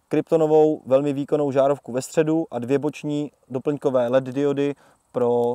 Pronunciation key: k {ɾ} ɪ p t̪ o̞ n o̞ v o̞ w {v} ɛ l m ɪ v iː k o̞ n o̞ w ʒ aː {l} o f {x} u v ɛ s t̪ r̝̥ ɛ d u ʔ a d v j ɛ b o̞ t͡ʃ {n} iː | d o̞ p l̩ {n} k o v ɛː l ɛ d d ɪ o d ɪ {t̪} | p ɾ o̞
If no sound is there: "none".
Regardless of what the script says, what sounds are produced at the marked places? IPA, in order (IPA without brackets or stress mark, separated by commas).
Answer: ɾ, v, ɾ, k, ɲ, ɲ, none